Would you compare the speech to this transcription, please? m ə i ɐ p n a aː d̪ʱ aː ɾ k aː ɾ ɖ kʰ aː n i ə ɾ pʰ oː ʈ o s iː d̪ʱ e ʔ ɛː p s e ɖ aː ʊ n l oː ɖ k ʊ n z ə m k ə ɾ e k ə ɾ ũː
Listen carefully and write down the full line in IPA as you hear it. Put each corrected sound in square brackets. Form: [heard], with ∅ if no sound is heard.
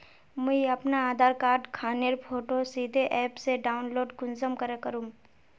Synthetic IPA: m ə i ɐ p n a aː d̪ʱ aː ɾ k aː ɾ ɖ kʰ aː n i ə ɾ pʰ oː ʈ o s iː d̪ʱ e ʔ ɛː p s e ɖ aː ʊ n l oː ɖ k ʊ n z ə m k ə ɾ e k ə ɾ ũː